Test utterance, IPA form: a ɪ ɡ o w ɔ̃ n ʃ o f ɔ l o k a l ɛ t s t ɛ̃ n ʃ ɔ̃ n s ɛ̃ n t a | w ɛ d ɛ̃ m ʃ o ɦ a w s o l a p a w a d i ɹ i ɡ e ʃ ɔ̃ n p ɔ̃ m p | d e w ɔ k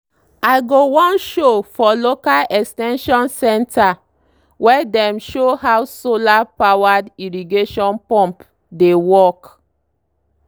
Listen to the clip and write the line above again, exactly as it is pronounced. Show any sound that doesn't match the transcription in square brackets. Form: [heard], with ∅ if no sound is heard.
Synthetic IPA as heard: a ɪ ɡ o w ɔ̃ n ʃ o f ɔ l o k a l ɛ [k] s t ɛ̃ n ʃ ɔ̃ n s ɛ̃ n t a | w ɛ d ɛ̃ m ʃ o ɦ a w s o l a p a w a d i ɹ i ɡ e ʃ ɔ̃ n p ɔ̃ m p | d e w ɔ k